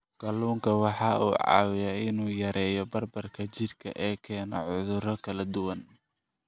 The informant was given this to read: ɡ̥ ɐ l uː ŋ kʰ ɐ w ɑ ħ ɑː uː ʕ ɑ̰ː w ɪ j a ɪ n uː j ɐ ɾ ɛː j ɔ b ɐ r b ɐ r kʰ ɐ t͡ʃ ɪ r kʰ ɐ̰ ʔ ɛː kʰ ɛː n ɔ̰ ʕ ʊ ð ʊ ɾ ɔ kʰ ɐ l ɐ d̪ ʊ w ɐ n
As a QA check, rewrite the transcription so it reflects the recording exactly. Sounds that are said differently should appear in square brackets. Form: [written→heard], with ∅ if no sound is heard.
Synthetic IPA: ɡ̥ ɐ l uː ŋ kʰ ɐ w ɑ ħ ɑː uː ʕ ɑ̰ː w ɪ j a ɪ n uː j ɐ ɾ ɛː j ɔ b ɐ r b ɐ r kʰ ɐ t͡ʃ ɪ r kʰ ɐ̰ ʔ ɛː kʰ ɛː n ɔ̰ ʕ ʊ ð ʊ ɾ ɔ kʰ ɐ l ɐ d̪ ʊ w ɐ n